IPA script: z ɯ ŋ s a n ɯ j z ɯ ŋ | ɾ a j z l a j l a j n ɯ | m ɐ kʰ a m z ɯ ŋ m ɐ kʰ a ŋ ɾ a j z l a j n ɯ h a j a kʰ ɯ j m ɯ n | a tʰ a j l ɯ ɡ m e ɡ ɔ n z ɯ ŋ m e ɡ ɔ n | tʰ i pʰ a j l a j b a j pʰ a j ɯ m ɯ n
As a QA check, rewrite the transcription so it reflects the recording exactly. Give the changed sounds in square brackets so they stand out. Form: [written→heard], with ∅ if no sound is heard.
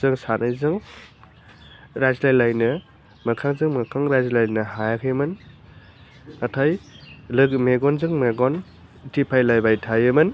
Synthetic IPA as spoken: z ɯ ŋ s a n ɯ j z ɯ ŋ | ɾ a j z l a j l a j n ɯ | m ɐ kʰ a [m→ŋ] z ɯ ŋ m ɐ kʰ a ŋ ɾ a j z l a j n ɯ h a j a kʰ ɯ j m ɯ n | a tʰ a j l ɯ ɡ m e ɡ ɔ n z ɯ ŋ m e ɡ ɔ n | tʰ i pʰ a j l a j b a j [pʰ→tʰ] a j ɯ m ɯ n